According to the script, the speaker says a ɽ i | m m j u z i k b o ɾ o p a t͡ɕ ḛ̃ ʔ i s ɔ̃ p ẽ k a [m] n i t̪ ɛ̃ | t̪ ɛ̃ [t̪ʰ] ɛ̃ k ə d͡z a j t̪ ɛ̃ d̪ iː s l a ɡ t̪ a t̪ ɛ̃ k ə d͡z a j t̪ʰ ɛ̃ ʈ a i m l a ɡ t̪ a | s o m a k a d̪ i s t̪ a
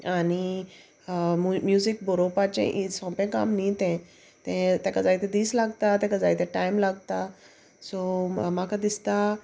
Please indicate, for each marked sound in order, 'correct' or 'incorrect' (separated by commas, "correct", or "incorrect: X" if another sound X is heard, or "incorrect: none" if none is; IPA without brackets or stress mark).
correct, incorrect: t̪